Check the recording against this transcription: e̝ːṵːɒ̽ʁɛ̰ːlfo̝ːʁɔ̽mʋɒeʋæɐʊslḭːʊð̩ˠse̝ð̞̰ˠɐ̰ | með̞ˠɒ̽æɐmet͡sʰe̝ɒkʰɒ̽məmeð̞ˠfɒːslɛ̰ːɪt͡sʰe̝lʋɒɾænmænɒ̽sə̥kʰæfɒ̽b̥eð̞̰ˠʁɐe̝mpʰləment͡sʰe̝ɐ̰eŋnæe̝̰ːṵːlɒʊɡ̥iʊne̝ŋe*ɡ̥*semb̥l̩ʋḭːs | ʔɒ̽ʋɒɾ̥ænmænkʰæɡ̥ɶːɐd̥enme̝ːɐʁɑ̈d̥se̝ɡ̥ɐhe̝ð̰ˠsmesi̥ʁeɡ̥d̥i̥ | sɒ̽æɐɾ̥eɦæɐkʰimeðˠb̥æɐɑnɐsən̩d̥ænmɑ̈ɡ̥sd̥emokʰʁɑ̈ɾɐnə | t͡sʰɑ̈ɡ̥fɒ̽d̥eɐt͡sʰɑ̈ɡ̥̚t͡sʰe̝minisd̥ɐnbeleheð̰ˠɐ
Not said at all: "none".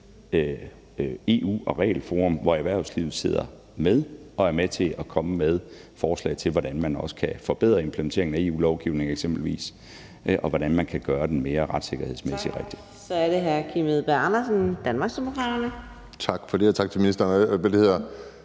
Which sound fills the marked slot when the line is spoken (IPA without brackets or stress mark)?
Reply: ɡ̥